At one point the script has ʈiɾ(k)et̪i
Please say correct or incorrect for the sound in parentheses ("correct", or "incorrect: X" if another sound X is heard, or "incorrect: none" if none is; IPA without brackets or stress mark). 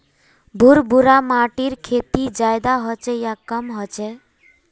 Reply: incorrect: kʰ